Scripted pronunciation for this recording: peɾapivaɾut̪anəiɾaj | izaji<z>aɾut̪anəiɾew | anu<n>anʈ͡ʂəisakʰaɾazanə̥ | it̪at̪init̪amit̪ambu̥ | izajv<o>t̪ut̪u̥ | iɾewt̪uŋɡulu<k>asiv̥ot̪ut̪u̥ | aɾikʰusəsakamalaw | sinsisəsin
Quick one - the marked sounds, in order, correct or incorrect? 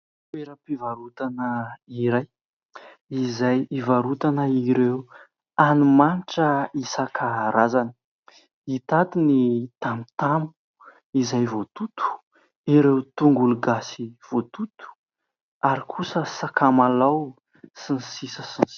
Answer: incorrect: v, incorrect: m, correct, incorrect: ɡ

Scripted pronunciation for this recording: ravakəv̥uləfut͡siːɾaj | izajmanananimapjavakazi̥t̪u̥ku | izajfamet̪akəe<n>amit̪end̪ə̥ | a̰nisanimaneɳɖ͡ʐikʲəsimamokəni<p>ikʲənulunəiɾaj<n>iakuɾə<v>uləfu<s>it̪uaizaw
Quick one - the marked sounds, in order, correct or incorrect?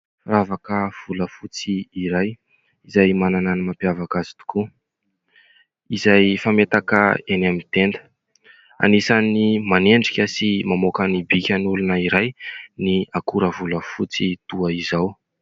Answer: correct, incorrect: b, correct, correct, incorrect: t͡s

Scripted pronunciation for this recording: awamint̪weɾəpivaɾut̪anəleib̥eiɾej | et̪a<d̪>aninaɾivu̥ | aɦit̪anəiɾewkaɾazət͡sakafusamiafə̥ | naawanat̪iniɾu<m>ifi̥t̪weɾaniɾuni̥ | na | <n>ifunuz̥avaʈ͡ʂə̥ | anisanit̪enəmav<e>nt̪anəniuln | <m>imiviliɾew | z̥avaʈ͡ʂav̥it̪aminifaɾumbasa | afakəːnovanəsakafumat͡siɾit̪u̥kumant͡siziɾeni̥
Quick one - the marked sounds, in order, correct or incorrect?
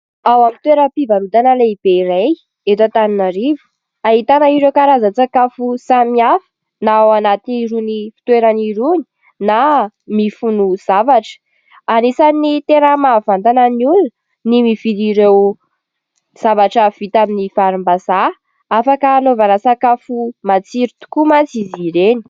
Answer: incorrect: t̪, incorrect: n, incorrect: m, incorrect: a, incorrect: n

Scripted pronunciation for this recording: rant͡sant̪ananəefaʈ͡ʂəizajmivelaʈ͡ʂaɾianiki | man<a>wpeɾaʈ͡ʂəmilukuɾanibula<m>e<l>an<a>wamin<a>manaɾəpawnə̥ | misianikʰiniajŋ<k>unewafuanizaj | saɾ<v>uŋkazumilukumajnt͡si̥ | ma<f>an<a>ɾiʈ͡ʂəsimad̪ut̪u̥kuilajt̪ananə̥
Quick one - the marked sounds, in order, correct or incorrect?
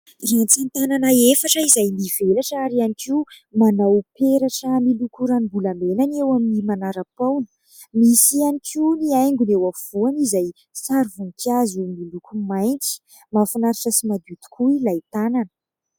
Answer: correct, correct, correct, incorrect: e, incorrect: i, incorrect: ɡ, correct, correct, correct

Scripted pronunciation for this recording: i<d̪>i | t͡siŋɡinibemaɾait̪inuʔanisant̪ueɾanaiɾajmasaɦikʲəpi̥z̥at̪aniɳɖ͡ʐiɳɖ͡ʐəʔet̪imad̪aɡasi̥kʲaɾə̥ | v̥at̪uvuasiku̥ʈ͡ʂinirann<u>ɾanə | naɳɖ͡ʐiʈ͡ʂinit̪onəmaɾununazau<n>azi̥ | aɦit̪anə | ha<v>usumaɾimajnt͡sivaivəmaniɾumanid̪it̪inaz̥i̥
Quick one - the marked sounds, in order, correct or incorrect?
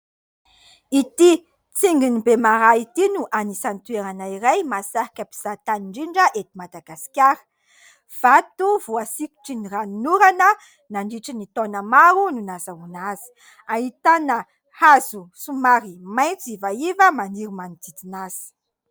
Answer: incorrect: t̪, correct, correct, incorrect: z

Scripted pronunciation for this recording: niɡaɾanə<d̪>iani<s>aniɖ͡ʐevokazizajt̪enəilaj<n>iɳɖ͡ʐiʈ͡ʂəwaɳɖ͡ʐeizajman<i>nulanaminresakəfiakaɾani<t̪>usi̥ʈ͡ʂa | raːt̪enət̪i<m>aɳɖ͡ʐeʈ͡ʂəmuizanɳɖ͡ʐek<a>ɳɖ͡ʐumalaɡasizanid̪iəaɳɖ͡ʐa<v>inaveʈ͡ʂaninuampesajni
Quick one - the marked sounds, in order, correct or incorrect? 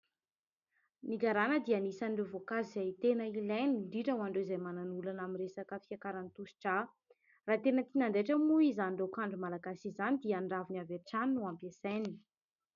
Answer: correct, correct, correct, incorrect: a, correct, incorrect: n, correct, correct

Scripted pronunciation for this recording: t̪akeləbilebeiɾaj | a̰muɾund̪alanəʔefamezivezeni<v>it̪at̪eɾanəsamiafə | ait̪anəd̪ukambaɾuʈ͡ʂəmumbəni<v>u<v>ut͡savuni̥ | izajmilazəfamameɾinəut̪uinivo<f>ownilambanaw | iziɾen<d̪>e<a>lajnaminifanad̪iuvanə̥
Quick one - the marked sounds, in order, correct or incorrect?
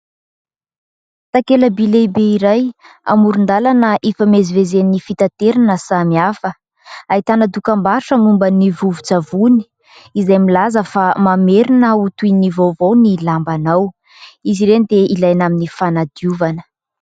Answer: incorrect: f, correct, correct, incorrect: v, correct, incorrect: i

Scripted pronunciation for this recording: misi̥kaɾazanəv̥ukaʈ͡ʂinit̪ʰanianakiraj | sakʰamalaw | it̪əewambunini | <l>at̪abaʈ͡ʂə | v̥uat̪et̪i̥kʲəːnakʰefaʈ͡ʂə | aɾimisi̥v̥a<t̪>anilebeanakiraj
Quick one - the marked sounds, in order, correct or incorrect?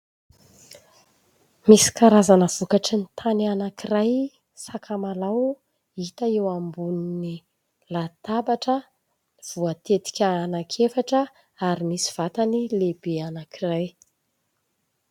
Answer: correct, correct

